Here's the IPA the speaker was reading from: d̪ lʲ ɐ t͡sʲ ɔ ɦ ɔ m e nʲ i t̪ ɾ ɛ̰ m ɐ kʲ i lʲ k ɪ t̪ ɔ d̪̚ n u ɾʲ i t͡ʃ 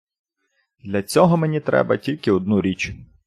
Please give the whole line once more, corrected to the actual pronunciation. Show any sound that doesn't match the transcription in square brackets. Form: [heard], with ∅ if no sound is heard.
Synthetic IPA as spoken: d̪ lʲ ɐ t͡sʲ ɔ ɦ ɔ m e nʲ i t̪ ɾ ɛ̰ [b] ɐ [tʲ] i lʲ k ɪ [∅] ɔ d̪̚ n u ɾʲ i t͡ʃ